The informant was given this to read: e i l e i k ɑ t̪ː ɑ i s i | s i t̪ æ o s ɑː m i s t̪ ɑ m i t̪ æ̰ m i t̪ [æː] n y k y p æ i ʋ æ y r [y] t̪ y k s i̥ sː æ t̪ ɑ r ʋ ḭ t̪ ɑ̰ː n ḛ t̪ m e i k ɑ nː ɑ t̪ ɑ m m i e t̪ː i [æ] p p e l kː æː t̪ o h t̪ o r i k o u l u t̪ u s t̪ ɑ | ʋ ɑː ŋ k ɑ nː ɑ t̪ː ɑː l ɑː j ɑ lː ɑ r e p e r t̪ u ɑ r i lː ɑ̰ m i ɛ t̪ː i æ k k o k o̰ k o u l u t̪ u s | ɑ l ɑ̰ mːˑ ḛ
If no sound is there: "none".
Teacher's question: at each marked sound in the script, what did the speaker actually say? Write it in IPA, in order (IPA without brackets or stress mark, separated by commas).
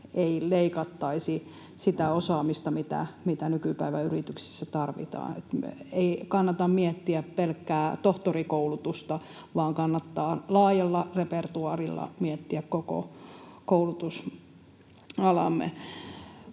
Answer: æ, i, æ